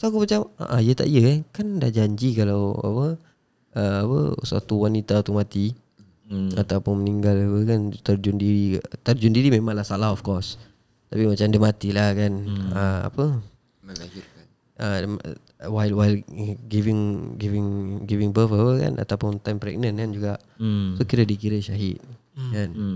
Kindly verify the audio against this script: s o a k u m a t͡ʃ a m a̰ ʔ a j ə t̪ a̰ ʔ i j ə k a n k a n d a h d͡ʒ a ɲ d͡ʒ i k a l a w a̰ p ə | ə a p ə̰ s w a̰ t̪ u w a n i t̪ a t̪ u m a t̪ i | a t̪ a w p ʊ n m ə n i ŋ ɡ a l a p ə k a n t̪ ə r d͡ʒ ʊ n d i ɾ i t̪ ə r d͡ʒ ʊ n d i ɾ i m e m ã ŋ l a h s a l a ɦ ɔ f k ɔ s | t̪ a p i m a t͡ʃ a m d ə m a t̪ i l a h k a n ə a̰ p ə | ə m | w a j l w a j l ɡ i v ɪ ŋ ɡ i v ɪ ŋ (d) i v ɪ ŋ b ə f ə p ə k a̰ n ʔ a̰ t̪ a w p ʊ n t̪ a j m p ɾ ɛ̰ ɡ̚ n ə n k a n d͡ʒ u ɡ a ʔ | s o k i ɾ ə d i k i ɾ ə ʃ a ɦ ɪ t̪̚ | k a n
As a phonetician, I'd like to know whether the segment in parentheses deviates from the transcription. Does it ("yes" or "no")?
yes